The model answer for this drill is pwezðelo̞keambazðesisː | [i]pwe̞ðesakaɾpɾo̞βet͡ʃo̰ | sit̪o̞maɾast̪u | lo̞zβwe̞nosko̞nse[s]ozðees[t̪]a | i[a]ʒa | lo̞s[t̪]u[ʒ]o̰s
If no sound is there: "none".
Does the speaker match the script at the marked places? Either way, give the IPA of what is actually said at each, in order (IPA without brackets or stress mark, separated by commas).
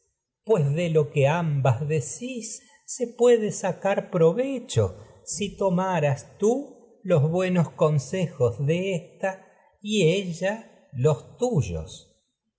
e, x, t̪, e, t̪, ʒ